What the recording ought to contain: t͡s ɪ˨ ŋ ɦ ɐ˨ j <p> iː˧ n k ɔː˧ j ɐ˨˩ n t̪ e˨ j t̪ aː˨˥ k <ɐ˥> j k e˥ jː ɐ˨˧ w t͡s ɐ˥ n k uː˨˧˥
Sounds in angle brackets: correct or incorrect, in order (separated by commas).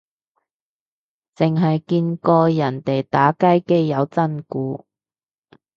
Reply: incorrect, correct